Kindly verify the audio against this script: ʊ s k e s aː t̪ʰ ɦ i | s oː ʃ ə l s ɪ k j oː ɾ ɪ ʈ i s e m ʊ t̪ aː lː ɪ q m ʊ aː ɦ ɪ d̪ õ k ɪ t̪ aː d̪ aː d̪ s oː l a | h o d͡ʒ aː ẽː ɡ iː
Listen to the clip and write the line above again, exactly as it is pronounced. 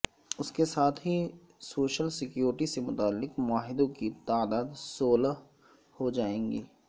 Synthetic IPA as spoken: ʊ s k e s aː t̪ʰ ɦ i | s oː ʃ ə l s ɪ k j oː ɾ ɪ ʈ i s e m ʊ t̪ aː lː ɪ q m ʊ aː ɦ ɪ d̪ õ k i t̪ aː d̪ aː d̪ s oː l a | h o d͡ʒ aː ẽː ɡ iː

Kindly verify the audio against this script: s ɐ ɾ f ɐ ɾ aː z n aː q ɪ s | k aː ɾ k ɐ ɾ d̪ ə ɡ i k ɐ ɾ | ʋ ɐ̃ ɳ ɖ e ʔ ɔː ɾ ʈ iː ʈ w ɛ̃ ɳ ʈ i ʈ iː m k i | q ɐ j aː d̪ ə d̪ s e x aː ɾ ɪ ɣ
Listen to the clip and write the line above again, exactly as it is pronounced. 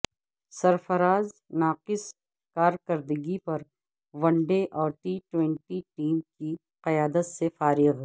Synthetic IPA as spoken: s ɐ ɾ f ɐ ɾ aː z n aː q ɪ s | k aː ɾ k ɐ ɾ d̪ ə ɡ i p ɐ ɾ | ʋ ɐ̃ ɳ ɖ e ʔ ɔː ɾ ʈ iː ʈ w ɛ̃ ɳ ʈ i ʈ iː m k i | q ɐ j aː d̪ ə t̪ s e f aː ɾ ɪ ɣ

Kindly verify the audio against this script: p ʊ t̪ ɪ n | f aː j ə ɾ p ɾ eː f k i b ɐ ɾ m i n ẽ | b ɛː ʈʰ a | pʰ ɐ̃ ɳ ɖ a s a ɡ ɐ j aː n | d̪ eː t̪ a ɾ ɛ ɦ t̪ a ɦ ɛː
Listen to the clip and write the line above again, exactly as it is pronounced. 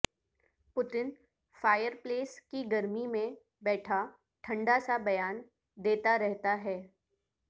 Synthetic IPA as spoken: p ʊ t̪ ɪ n | f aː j ə ɾ p l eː s k i ɡ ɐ ɾ m i m ẽ | b ɛː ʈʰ a | ʈʰ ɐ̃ ɳ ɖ a s a b ɐ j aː n | d̪ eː t̪ a ɾ ɛ ɦ t̪ a ɦ ɛː

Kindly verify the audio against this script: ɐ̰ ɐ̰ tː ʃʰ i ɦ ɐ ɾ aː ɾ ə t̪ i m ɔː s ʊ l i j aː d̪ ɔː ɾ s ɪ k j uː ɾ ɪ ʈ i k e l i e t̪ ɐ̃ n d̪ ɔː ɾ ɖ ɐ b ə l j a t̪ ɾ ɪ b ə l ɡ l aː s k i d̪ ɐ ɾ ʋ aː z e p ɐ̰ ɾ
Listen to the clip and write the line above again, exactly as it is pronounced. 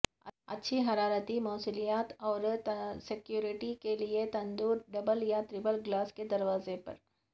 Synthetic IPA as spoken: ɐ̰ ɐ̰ tː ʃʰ i ɦ ɐ ɾ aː ɾ ə t̪ i m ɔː s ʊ l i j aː t̪ ɔː ɾ s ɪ k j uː ɾ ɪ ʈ i k e l i e t̪ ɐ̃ n d̪ uː ɾ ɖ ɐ b ə l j a t̪ ɾ ɪ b ə l ɡ l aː s k e d̪ ɐ ɾ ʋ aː z e p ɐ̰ ɾ

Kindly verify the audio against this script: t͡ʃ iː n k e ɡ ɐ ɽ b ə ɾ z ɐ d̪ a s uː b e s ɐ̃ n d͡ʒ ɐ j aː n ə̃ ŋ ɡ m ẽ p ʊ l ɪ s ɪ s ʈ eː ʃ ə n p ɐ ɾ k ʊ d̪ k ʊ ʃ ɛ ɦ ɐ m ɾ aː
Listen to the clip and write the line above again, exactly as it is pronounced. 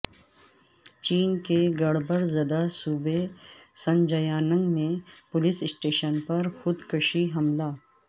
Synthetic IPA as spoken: t͡ʃ iː n k e ɡ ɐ ɽ b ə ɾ z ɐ d̪ a s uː b e s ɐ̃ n d͡ʒ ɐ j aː n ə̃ ŋ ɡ m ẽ p ʊ l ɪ s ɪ s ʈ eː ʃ ə n p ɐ ɾ x ʊ d̪ k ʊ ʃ i ɦ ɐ m l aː

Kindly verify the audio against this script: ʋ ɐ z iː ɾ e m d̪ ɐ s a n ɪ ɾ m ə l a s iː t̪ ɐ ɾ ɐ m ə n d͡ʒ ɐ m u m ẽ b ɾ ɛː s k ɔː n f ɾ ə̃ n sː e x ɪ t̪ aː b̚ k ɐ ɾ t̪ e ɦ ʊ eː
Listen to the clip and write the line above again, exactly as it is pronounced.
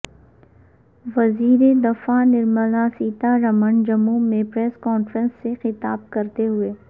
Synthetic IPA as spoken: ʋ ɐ z iː ɾ e d̪ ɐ f a n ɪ ɾ m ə l a s iː t̪ a ɾ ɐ m ə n d͡ʒ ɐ m u m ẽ p ɾ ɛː s k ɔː n f ɾ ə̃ n sː e x ɪ t̪ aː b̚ k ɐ ɾ t̪ e ɦ ʊ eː

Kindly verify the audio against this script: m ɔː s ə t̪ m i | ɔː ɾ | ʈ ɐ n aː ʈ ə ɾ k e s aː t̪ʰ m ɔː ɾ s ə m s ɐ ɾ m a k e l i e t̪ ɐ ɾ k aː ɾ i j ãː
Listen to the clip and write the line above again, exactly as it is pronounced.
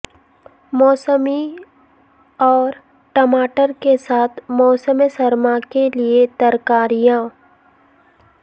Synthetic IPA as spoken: m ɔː s ə m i | ɔː ɾ | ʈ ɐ m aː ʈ ə ɾ k e s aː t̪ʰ m ɔː s ə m s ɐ ɾ m a k e l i e t̪ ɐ ɾ k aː ɾ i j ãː

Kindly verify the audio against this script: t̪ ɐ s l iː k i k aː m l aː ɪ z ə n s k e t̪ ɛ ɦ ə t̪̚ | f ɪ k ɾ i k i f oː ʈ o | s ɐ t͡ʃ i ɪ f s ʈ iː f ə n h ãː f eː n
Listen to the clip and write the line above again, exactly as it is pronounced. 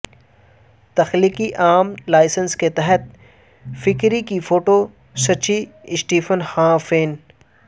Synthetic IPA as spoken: t̪ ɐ x l iː k i ʔ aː m l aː ɪ s ə n s k e t̪ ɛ ɦ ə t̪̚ | f ɪ k ɾ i k i f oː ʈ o | s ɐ t͡ʃ i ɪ s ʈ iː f ə n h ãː f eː n

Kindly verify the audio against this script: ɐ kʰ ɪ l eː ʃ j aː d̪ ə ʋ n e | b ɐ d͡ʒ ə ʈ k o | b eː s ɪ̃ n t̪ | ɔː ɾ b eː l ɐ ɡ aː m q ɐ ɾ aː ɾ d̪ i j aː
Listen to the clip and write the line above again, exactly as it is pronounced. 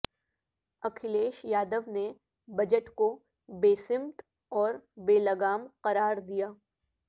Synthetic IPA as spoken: ɐ kʰ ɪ l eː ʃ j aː d̪ ə ʋ n e | b ɐ d͡ʒ ə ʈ k o | b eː s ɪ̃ m t̪ | ɔː ɾ b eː l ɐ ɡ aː m q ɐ ɾ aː ɾ d̪ i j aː

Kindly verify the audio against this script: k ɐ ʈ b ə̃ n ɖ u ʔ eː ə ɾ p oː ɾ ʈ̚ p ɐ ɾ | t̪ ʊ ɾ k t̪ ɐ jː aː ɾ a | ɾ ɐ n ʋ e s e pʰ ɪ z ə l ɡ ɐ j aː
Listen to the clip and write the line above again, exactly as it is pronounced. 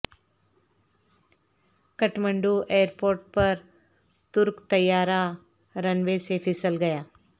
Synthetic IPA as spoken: k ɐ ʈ m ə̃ ɳ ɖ u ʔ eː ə ɾ p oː ɾ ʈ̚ p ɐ ɾ | t̪ ʊ ɾ k t̪ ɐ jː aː ɾ a | ɾ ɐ n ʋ e s e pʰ ɪ s ə l ɡ ɐ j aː

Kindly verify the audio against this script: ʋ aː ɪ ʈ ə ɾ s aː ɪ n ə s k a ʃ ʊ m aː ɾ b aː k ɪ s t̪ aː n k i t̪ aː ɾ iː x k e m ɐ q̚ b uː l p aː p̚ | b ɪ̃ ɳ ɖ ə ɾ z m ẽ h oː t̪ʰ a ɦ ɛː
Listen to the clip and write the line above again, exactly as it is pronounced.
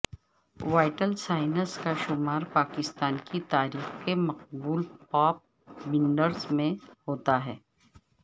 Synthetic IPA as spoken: ʋ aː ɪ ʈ ə l s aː ɪ n ə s k a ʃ ʊ m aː ɾ p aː k ɪ s t̪ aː n k i t̪ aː ɾ iː x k e m ɐ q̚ b uː l p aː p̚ | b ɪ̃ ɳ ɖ ə ɾ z m ẽ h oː t̪ a ɦ ɛː

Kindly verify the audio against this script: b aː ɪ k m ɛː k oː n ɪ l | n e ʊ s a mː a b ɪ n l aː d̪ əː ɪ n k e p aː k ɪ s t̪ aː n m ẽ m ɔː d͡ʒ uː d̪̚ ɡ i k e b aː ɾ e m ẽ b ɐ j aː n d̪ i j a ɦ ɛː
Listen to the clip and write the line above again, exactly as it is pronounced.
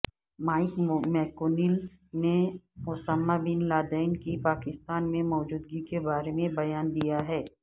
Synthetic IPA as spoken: m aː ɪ k m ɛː k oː n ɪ l | n e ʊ s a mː a b ɪ n l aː d̪ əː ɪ n k i p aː k ɪ s t̪ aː n m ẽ m ɔː d͡ʒ uː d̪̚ ɡ i k e b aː ɾ e m ẽ b ɐ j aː n d̪ i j a ɦ ɛː

